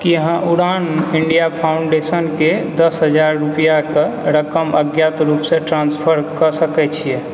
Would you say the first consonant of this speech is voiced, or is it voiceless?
voiceless